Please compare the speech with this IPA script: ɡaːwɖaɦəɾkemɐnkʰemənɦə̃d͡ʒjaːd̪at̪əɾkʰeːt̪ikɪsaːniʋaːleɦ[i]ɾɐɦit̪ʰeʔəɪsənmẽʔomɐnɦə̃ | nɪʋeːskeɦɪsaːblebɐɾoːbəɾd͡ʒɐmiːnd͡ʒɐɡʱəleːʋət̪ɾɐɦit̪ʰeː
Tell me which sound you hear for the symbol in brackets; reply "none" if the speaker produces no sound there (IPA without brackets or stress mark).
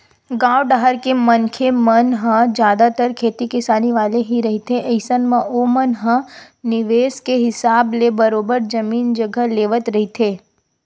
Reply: i